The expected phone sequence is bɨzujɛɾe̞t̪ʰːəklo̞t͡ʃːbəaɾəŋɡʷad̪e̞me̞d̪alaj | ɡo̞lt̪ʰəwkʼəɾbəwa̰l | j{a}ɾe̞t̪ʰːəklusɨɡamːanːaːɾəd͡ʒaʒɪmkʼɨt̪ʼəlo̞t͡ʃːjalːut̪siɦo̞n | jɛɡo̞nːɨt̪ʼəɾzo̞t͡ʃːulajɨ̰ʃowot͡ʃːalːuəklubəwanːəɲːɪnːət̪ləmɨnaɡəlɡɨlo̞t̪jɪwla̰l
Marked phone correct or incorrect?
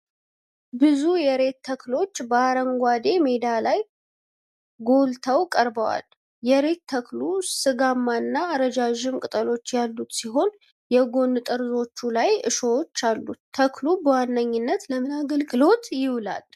incorrect: ɛ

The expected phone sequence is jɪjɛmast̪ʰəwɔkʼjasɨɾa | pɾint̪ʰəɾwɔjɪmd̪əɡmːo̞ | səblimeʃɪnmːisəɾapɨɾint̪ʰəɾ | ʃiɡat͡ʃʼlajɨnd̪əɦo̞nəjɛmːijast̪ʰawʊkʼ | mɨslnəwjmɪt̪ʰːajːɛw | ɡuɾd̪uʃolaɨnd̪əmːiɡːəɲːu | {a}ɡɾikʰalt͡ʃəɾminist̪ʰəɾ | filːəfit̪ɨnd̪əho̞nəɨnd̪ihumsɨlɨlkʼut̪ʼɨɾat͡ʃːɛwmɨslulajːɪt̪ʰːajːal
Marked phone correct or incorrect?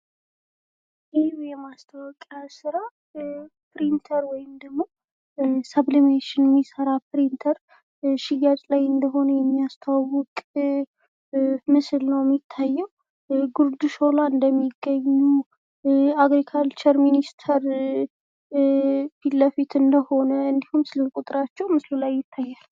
correct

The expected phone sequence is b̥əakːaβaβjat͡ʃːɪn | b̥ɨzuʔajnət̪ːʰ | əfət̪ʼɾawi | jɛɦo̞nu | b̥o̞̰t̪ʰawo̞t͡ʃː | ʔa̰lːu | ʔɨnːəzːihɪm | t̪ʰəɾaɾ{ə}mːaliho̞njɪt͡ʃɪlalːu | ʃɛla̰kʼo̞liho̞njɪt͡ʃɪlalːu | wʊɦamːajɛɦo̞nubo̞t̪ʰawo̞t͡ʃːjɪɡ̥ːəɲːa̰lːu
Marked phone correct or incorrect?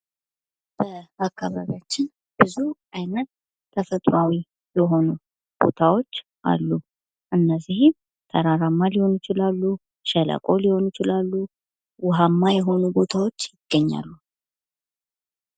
incorrect: a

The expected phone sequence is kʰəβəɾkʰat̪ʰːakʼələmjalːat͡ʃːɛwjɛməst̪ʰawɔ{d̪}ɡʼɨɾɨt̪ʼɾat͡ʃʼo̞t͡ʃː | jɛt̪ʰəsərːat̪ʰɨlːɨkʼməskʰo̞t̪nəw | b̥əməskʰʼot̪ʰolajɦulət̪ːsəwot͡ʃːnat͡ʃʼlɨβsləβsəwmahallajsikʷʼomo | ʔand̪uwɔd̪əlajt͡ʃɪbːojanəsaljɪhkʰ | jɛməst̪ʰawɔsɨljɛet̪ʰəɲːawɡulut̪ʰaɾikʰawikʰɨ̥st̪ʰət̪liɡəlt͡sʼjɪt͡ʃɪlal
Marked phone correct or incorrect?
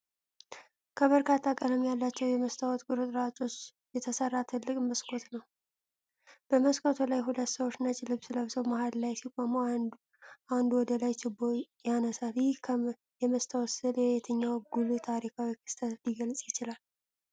incorrect: t̪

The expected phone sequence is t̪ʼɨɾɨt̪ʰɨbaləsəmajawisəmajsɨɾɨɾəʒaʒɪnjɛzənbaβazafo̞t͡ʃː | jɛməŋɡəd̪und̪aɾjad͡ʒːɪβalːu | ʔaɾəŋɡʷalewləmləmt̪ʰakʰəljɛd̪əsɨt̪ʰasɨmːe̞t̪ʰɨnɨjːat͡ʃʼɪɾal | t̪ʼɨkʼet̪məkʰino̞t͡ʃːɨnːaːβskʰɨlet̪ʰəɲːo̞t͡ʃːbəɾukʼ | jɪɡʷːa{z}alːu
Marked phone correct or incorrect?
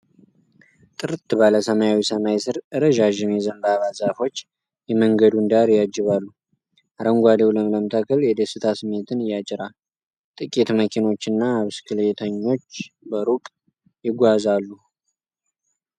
correct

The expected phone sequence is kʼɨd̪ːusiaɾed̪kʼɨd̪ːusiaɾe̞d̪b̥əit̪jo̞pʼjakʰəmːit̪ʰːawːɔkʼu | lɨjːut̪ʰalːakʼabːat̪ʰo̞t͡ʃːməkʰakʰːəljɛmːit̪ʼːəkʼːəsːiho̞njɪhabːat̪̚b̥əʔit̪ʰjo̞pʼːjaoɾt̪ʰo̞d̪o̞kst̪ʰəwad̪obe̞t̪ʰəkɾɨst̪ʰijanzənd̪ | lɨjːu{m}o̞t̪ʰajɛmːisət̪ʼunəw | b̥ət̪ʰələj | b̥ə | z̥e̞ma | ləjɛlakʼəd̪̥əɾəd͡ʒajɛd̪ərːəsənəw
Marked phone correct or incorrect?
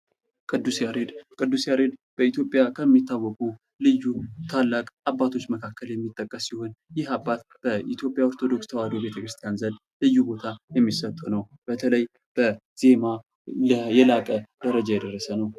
incorrect: b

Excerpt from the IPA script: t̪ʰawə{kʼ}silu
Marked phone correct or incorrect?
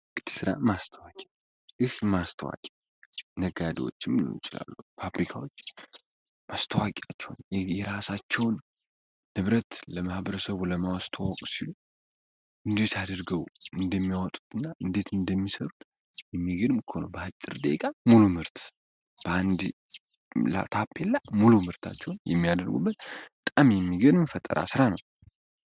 correct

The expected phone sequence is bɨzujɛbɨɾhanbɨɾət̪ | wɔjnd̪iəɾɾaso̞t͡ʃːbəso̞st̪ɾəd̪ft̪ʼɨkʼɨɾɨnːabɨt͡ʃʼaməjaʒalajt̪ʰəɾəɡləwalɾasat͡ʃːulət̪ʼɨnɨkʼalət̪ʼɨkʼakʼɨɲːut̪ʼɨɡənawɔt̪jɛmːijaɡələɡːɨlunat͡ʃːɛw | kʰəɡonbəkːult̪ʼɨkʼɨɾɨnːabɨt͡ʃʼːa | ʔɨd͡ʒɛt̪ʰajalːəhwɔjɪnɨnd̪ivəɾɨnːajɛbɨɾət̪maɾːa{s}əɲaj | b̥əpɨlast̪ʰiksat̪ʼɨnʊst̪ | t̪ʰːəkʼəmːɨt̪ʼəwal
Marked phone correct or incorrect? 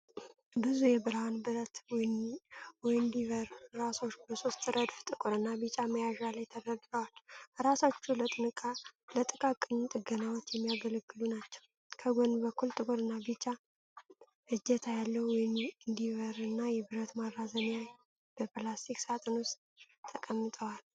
incorrect: z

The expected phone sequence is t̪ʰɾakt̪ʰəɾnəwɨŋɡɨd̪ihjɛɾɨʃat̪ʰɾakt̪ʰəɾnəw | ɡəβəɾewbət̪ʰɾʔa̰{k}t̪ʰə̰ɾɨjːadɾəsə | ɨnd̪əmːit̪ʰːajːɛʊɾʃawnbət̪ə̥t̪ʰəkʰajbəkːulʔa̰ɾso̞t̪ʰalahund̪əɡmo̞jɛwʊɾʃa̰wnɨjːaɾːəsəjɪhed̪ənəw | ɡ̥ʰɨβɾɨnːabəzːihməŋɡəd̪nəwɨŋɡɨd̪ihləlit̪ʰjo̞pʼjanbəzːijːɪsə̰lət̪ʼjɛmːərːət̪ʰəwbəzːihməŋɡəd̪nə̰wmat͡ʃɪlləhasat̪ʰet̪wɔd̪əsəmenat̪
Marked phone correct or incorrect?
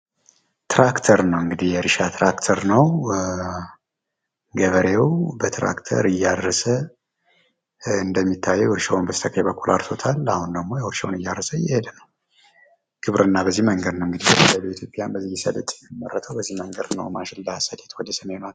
correct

